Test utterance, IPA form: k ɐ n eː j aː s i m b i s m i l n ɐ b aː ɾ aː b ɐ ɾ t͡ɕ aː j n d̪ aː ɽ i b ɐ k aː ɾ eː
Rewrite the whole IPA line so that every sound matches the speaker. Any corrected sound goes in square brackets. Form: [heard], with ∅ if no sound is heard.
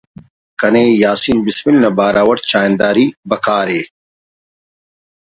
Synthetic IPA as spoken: k ɐ n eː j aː s i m b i s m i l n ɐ b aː ɾ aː [w] ɐ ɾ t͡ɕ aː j n d̪ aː [ɾ] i b ɐ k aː ɾ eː